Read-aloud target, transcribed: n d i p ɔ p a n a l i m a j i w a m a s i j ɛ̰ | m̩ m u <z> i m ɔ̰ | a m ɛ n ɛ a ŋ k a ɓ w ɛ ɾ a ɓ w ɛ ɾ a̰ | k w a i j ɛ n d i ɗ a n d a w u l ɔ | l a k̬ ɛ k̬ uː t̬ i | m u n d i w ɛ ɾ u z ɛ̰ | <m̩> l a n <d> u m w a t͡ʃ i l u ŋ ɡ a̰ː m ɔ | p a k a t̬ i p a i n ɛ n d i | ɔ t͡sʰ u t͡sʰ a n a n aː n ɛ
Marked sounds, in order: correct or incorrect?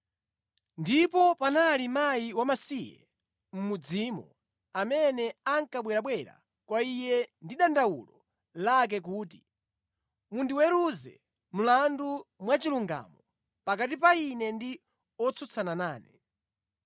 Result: incorrect, correct, correct

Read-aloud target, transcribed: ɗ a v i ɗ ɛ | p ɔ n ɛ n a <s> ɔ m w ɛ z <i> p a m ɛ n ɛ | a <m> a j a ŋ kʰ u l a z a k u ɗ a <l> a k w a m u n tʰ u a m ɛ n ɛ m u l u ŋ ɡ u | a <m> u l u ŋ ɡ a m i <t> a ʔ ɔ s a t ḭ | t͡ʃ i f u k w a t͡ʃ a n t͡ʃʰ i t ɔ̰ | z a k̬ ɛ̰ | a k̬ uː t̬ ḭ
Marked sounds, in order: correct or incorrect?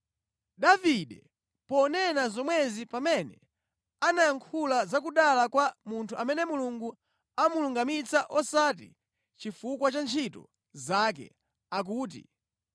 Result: incorrect, correct, incorrect, correct, correct, incorrect

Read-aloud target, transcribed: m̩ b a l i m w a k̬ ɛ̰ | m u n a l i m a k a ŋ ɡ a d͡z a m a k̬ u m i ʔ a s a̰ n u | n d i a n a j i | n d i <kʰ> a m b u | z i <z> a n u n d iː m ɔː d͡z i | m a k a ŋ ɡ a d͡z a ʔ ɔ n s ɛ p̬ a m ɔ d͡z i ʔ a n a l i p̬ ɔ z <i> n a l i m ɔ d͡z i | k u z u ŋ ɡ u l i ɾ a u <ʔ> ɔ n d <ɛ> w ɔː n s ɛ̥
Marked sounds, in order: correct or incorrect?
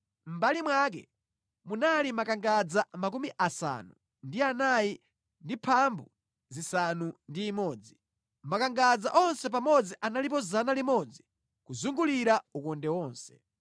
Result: incorrect, incorrect, incorrect, incorrect, correct

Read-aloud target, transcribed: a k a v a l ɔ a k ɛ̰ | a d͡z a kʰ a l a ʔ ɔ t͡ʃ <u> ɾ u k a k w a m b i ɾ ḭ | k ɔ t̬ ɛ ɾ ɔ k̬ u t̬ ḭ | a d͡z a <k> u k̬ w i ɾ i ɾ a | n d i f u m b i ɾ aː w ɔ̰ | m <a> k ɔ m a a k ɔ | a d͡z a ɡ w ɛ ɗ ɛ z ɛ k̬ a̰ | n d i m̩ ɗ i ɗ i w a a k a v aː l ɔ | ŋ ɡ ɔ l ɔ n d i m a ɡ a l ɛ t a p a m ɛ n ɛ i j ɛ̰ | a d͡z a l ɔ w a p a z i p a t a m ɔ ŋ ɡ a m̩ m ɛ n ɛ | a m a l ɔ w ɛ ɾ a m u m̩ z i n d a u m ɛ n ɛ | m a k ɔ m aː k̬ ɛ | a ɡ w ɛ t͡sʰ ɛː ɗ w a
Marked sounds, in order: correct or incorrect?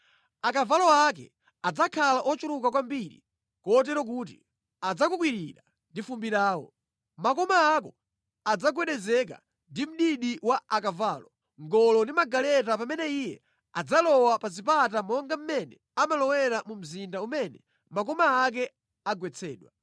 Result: correct, correct, correct

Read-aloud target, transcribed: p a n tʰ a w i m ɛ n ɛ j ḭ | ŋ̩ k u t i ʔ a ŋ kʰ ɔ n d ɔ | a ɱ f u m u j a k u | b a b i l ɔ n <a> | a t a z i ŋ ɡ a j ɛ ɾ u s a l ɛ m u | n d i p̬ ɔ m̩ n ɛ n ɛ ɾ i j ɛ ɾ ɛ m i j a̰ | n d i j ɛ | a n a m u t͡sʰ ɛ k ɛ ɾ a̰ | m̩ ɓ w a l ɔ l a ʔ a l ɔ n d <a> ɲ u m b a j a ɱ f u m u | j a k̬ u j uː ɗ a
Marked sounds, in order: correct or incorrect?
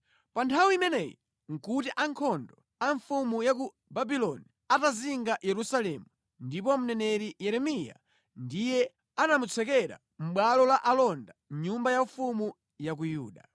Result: incorrect, correct

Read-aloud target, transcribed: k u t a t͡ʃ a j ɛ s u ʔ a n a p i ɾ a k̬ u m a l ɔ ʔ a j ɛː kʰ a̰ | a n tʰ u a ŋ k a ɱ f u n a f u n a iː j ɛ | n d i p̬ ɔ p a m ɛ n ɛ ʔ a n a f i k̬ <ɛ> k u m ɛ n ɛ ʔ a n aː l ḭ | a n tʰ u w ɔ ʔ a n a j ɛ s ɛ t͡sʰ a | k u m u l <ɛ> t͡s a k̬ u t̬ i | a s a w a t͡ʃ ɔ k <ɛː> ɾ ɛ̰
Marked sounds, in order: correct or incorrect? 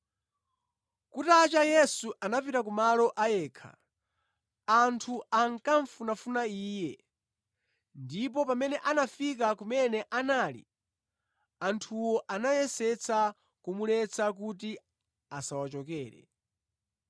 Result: incorrect, correct, correct

